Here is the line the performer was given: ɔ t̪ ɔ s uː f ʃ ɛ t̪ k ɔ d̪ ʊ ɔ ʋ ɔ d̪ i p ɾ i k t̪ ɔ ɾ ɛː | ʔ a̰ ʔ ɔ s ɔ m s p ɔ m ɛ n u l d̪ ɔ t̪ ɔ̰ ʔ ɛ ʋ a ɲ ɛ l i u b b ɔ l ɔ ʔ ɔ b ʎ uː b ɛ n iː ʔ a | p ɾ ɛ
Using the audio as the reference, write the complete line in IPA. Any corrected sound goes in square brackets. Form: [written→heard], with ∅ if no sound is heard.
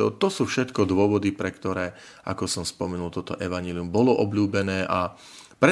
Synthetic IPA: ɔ t̪ ɔ s uː f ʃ ɛ t̪ k ɔ d̪ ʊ ɔ ʋ ɔ d̪ i p ɾ [i→ɛ] k t̪ ɔ ɾ ɛː | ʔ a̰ [ʔ→k] ɔ s ɔ m s p ɔ m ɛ n u l [d̪→t̪] ɔ t̪ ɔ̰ ʔ ɛ ʋ a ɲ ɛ l i u [b→m] b ɔ l ɔ ʔ ɔ b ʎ uː b ɛ n [iː→ɛː] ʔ a | p ɾ ɛ